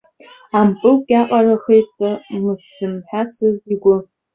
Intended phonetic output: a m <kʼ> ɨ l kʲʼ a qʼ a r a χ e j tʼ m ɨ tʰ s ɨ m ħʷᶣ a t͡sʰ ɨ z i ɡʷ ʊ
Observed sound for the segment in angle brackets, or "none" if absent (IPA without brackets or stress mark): pʼ